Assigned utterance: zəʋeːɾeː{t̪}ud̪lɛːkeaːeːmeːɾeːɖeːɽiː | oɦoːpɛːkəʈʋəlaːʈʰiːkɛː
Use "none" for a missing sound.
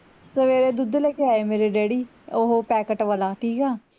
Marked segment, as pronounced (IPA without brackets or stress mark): d̪